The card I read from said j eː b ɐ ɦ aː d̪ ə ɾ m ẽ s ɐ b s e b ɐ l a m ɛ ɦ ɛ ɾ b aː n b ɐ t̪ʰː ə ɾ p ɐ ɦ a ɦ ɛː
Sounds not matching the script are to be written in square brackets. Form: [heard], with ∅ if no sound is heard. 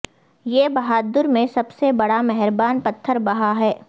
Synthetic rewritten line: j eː b ɐ ɦ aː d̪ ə ɾ m ẽ s ɐ b s e b ɐ [ɽ] a m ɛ ɦ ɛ ɾ b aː n [p] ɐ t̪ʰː ə ɾ [b] ɐ ɦ a ɦ ɛː